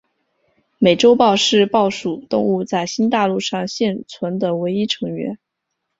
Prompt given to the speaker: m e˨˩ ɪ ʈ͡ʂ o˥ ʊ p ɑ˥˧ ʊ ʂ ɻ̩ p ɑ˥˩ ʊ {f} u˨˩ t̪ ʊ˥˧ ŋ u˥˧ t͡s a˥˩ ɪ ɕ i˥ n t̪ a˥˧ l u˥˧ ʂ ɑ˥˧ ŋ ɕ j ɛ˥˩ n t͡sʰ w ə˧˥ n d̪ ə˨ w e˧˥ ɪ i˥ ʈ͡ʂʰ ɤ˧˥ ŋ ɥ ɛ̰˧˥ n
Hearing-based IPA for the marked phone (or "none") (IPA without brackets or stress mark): ʂ